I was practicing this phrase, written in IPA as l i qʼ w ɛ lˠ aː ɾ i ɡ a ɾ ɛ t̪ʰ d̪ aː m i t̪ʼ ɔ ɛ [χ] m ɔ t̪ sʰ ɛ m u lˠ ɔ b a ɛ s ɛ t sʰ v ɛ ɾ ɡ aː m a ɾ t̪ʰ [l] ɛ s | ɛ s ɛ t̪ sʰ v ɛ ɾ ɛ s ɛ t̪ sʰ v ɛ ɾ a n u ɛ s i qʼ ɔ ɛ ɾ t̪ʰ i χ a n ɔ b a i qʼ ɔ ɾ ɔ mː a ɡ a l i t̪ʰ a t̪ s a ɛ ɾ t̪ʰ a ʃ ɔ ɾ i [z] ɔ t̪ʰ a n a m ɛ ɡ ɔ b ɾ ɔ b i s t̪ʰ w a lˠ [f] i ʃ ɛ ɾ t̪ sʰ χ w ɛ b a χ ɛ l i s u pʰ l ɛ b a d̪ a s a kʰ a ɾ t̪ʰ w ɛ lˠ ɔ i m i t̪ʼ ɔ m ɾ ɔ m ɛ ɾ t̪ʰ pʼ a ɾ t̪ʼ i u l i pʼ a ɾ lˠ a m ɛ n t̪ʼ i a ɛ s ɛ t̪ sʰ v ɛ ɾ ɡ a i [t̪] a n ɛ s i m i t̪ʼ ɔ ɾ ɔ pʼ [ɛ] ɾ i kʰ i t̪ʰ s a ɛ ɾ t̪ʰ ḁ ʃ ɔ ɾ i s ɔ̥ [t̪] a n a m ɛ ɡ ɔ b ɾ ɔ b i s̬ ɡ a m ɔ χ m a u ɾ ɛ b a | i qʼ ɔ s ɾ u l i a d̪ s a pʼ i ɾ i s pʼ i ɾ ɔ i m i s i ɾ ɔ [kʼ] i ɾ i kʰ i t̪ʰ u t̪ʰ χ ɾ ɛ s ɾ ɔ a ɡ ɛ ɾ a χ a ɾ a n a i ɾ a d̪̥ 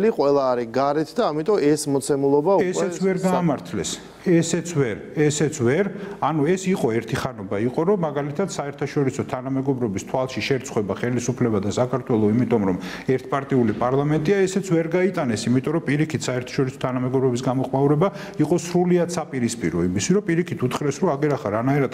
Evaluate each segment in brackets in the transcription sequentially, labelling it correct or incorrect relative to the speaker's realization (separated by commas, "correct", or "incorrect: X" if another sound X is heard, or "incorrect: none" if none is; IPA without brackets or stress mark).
incorrect: s, correct, incorrect: s, incorrect: ʃ, incorrect: t̪ʼ, incorrect: i, incorrect: t̪ʰ, incorrect: pʼ